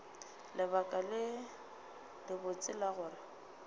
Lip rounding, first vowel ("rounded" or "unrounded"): unrounded